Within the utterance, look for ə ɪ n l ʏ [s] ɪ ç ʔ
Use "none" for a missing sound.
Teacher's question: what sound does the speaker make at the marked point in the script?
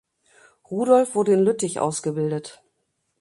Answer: t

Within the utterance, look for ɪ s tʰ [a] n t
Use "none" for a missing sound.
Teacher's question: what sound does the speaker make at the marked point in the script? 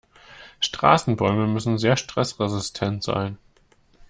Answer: ɛ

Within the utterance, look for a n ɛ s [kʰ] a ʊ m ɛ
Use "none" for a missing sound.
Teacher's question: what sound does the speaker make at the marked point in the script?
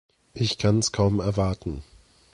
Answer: kʰ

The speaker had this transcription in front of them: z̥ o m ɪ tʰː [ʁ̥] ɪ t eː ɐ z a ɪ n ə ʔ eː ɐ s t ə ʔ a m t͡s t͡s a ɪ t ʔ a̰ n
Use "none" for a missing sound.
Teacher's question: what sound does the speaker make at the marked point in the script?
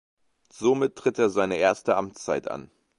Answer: ʁ̥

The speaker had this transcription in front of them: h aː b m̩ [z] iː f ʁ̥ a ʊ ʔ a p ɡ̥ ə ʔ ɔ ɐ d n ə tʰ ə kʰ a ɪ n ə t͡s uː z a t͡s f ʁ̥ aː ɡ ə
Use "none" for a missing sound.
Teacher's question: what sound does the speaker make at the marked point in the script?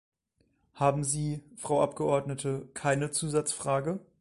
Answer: z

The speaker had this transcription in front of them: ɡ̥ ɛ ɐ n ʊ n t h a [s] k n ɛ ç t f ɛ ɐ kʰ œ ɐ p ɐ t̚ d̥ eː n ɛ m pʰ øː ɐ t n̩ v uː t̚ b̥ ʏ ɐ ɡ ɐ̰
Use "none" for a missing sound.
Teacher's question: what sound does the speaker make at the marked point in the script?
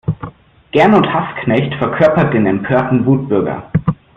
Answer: s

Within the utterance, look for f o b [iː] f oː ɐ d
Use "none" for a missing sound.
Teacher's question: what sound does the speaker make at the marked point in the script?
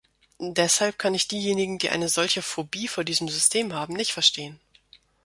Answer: iː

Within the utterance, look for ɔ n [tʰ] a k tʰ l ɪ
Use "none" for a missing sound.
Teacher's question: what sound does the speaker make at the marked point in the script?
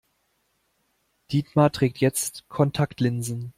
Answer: tʰ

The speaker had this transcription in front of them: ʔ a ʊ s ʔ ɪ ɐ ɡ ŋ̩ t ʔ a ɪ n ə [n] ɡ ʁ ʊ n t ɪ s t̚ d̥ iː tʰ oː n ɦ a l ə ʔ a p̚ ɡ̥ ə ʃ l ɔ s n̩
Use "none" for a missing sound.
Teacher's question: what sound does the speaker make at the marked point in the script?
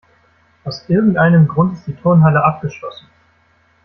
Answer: m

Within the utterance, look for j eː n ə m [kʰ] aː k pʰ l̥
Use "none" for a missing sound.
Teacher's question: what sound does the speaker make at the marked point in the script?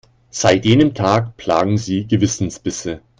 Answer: tʰ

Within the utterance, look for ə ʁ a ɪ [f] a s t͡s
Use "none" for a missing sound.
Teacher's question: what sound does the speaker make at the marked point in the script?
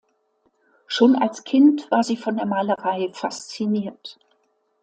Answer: f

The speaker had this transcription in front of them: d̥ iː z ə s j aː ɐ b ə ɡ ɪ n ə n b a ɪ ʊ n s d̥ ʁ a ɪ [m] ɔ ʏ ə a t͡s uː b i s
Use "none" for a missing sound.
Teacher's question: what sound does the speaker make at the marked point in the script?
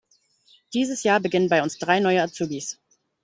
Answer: n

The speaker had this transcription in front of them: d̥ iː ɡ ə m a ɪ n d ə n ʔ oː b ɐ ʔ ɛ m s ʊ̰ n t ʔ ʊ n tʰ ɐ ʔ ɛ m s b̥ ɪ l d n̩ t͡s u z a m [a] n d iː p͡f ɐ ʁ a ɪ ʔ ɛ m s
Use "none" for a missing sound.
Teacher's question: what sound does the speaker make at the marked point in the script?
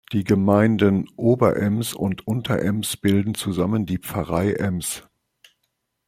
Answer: ə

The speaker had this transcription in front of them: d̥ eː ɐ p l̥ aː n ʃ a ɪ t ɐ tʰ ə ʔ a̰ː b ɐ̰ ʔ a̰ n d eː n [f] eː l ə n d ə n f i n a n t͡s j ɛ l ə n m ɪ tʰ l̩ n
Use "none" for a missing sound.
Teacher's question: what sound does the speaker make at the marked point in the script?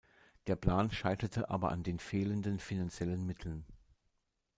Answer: f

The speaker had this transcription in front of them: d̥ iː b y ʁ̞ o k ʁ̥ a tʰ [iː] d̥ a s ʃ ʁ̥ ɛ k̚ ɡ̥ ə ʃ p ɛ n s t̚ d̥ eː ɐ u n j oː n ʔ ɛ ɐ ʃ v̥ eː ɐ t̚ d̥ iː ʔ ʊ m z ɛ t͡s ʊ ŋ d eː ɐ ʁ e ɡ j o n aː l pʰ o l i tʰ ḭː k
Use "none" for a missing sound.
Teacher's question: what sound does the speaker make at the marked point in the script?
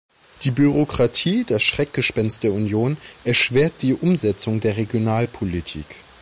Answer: iː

